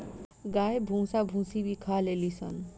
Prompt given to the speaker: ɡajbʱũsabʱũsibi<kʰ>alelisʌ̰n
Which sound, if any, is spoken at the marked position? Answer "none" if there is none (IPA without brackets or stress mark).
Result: kʰ